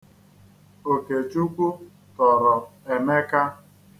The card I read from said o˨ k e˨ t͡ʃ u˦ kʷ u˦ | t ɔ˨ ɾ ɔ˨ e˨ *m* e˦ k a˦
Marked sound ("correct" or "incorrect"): correct